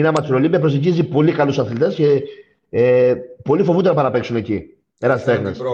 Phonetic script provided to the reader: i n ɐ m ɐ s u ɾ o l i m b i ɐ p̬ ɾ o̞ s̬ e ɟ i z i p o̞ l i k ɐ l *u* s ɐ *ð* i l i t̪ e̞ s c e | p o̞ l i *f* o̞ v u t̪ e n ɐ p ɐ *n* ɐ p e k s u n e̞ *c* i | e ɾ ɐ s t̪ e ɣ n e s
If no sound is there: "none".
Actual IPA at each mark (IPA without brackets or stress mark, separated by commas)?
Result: u, θ, f, n, c